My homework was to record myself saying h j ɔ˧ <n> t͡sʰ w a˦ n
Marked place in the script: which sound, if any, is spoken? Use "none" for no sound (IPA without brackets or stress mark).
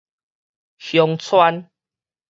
ŋ